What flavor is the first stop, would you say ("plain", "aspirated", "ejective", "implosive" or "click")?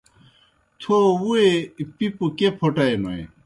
aspirated